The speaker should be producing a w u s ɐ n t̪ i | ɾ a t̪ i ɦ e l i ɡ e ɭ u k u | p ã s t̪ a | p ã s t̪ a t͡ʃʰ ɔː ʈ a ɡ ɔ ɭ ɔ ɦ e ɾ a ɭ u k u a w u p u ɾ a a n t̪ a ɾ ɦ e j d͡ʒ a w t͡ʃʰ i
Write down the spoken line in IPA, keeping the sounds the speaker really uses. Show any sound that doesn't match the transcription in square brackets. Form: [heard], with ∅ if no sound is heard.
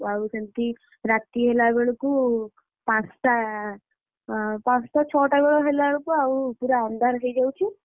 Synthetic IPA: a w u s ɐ n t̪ i | ɾ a t̪ i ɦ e l [a] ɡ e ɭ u k u | p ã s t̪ a | p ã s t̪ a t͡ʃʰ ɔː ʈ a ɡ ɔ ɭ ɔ ɦ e [l] a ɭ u k u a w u p u ɾ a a n [d̪] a ɾ ɦ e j d͡ʒ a w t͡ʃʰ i